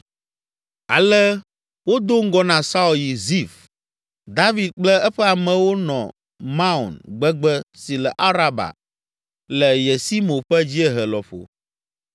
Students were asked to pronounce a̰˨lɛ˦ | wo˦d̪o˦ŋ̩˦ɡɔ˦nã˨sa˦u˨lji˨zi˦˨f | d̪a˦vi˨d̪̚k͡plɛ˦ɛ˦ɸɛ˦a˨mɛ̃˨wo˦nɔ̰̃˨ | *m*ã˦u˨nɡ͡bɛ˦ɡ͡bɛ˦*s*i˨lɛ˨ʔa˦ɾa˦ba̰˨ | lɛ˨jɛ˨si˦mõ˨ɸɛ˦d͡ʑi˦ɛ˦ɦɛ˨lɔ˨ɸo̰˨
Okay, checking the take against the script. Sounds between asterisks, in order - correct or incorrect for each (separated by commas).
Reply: correct, correct